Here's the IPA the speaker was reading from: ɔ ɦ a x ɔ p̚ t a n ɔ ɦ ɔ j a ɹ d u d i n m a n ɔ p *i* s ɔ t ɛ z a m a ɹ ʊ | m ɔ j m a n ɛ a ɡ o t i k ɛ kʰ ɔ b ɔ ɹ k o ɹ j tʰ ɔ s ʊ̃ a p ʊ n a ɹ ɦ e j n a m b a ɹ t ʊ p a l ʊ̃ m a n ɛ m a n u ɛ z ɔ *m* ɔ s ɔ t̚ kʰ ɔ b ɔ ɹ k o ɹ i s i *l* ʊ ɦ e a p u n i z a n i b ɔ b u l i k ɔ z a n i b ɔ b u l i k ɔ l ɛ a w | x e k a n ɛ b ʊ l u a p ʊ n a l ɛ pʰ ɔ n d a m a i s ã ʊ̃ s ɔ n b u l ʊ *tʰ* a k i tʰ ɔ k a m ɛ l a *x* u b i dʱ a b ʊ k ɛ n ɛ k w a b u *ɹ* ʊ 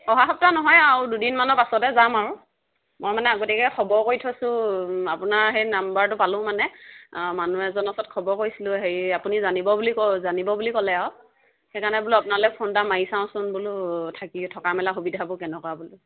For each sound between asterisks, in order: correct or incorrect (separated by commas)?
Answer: incorrect, incorrect, correct, correct, correct, incorrect